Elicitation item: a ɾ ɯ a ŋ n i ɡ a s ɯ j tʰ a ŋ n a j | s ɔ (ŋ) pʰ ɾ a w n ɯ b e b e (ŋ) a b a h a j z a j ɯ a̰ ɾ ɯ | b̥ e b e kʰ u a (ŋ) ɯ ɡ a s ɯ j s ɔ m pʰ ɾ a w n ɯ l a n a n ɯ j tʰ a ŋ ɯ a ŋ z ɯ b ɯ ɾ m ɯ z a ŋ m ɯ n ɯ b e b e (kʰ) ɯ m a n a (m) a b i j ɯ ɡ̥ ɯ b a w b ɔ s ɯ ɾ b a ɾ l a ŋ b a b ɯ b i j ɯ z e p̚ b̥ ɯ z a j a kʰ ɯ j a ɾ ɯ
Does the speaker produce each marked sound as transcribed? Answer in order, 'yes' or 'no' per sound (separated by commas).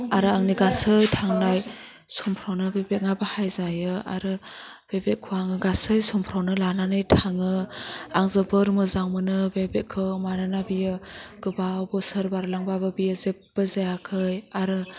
no, yes, yes, yes, no